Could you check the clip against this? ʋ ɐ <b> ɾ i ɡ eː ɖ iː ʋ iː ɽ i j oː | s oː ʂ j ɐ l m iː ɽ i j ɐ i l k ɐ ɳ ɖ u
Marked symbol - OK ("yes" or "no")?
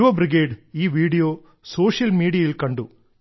yes